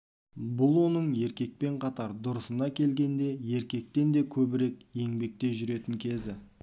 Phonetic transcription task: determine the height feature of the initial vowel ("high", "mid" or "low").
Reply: high